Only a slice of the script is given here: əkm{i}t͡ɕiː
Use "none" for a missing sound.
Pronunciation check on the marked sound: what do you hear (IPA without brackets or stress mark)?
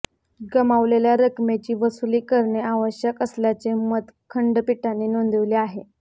e